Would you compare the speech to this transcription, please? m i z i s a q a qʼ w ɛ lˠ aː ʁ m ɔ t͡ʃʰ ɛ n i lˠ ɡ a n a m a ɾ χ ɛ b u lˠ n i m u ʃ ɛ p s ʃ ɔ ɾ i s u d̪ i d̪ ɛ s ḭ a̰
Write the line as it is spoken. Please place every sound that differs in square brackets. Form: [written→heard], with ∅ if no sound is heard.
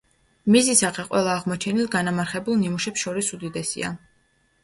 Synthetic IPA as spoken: m i z i s a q [a→ɛ] qʼ w ɛ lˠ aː ʁ m ɔ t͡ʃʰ ɛ n i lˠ ɡ a n a m a ɾ χ ɛ b u lˠ n i m u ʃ ɛ p s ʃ ɔ ɾ i s u d̪ i d̪ ɛ s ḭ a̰